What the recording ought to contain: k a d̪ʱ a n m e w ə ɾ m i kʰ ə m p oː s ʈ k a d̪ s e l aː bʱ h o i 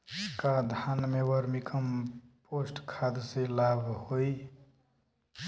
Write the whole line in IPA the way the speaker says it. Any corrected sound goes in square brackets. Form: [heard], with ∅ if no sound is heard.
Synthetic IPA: k a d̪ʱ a n m e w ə ɾ m i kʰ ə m p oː s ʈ [kʰ] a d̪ s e l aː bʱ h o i

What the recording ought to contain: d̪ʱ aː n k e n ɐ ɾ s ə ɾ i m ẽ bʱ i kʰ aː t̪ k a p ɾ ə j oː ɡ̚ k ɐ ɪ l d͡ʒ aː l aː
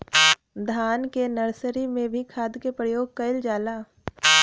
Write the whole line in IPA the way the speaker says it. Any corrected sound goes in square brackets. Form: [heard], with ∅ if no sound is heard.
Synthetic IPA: d̪ʱ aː n k e n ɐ ɾ s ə ɾ i m ẽ bʱ i kʰ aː [d̪] k [e] p ɾ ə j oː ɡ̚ k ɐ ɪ l d͡ʒ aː l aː

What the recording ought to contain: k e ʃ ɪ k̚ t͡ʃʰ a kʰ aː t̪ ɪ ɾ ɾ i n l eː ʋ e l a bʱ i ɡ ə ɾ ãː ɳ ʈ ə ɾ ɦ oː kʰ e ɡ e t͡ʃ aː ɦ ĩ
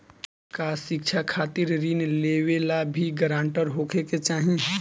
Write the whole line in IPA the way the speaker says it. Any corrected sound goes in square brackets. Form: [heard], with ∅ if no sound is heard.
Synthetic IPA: k [a] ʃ ɪ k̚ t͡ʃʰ a kʰ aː t̪ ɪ ɾ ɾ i n l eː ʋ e l a bʱ i ɡ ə ɾ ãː ɳ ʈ ə ɾ ɦ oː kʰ e [k] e t͡ʃ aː ɦ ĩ

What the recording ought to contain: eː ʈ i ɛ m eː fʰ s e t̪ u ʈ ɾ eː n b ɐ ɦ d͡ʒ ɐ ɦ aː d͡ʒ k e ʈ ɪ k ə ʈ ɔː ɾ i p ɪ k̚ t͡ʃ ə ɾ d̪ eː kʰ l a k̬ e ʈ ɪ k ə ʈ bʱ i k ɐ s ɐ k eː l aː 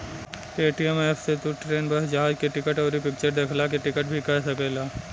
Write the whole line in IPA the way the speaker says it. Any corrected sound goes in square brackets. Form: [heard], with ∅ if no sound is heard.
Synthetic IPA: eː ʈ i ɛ m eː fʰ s e t̪ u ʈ ɾ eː n b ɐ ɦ d͡ʒ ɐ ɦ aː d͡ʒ k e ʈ ɪ k ə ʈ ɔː ɾ i p ɪ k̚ t͡ʃ ə ɾ d̪ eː kʰ l a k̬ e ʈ ɪ k ə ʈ bʱ i k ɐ s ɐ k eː l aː

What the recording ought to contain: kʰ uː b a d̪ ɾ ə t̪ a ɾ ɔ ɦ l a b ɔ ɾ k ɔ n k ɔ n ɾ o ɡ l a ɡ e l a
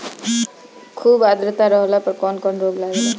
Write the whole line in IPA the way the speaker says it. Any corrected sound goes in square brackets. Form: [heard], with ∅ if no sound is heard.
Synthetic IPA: kʰ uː b a d̪ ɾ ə t̪ a ɾ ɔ ɦ l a [p] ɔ ɾ k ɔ n k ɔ n ɾ o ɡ l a ɡ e l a

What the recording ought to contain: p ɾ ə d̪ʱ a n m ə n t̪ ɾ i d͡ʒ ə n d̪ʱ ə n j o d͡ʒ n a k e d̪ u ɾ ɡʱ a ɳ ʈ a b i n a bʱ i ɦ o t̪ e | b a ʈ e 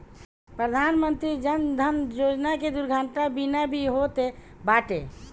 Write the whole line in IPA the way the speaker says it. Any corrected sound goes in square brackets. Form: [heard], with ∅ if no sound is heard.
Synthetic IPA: p ɾ ə d̪ʱ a n m ə n t̪ ɾ i d͡ʒ ə n d̪ʱ ə n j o d͡ʒ n a k e d̪ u ɾ ɡʱ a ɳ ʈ a b i n a bʱ i ɦ o t̪ e | b a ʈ e

